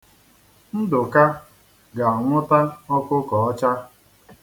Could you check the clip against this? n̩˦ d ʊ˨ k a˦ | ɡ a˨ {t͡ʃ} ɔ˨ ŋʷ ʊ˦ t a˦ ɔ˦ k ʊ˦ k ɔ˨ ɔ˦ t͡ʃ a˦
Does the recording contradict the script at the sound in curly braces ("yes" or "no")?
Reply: yes